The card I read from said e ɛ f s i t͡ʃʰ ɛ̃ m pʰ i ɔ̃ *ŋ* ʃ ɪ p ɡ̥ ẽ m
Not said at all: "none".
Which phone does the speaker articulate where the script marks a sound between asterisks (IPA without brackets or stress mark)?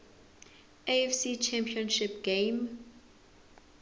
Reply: n